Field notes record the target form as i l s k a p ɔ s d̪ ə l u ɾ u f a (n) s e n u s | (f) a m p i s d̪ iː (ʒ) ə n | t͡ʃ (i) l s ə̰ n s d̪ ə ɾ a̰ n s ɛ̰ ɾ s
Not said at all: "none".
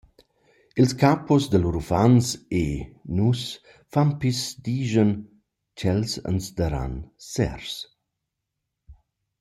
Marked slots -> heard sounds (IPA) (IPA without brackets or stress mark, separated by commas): n, f, ʒ, ɛ